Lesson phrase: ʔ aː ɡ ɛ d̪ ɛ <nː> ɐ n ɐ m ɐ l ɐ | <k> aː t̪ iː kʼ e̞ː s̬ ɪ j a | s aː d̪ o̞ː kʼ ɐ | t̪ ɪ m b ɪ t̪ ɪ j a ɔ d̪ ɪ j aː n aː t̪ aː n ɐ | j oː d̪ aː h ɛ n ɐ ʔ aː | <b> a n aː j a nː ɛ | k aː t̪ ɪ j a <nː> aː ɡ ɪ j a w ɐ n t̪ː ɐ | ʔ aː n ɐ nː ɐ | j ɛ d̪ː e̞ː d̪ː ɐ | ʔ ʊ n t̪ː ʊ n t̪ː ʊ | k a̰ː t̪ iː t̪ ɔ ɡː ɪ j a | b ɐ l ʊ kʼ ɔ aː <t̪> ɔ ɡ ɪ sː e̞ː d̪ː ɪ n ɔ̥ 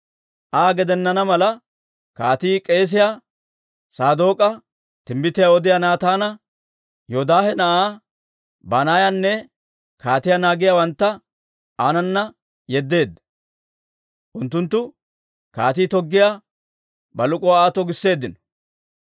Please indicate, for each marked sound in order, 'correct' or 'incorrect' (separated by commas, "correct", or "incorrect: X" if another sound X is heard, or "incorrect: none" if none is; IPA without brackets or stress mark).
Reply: correct, correct, correct, incorrect: n, correct